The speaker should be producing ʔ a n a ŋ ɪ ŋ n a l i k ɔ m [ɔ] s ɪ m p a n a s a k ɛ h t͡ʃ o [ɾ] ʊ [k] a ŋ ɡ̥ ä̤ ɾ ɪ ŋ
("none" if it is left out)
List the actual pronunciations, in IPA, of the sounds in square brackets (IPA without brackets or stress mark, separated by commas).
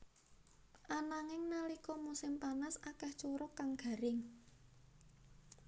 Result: u, ɾ, k